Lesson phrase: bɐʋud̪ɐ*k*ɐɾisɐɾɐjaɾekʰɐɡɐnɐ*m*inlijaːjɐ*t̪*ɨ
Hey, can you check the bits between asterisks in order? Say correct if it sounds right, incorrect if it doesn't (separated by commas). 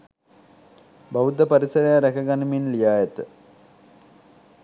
incorrect, correct, correct